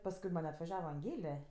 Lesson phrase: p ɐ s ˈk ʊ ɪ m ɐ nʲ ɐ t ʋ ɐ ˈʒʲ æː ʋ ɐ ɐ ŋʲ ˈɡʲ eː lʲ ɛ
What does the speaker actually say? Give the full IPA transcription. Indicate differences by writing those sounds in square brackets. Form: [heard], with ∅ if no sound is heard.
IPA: p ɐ s ˈk ʊ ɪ m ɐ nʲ ɐ t ʋ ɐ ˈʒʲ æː ʋ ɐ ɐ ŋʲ ˈɡʲ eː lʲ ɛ